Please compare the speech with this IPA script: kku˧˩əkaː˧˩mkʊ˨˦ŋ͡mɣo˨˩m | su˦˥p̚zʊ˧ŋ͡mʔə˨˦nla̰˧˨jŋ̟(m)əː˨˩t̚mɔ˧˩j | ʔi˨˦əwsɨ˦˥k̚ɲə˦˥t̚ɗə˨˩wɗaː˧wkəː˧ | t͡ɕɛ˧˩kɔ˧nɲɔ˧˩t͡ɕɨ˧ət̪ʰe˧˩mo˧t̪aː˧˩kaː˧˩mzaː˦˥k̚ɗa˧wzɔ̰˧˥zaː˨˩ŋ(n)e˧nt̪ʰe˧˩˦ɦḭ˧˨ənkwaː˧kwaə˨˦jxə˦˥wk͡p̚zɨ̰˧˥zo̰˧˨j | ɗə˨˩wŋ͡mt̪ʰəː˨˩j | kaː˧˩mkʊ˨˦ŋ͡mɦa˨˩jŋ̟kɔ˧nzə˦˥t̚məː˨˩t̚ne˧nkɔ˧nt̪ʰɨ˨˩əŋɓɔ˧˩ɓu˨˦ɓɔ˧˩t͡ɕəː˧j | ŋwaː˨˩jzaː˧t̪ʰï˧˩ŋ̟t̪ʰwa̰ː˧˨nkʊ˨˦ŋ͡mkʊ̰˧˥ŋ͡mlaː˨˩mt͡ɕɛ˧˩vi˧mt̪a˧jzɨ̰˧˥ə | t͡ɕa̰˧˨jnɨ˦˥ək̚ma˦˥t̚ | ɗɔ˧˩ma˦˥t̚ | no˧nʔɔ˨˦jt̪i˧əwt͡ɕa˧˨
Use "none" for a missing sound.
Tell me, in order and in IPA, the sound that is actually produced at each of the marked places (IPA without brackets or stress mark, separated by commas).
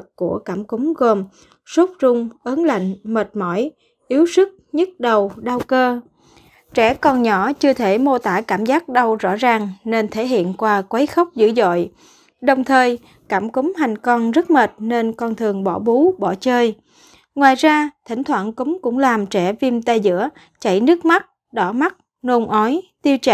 m, n